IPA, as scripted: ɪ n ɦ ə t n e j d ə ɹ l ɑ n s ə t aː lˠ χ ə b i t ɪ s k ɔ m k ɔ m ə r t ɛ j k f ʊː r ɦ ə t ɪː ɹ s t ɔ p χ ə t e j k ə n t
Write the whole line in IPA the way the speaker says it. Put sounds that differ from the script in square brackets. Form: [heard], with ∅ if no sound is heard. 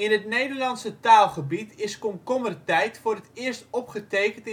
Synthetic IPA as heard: ɪ n ɦ ə t n e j d ə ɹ l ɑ n s ə t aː lˠ χ ə b i t ɪ s k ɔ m k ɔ m ə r t ɛ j [t] f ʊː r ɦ ə t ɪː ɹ s t ɔ p χ ə t e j k ə n t